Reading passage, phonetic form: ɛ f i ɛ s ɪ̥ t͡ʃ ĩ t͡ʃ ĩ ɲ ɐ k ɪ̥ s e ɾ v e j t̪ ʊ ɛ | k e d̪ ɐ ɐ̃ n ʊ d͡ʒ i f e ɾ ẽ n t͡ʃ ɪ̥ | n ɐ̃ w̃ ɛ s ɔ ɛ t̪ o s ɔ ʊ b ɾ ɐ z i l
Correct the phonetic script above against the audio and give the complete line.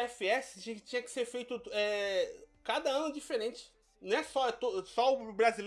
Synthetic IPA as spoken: ɛ f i ɛ s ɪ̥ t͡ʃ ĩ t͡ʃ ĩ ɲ ɐ k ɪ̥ s e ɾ f e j t̪ ʊ ɛ | k a d̪ ɐ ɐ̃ n ʊ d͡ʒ i f e ɾ ẽ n t͡ʃ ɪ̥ | n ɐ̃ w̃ ɛ s ɔ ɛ t̪ o s ɔ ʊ b ɾ a z i l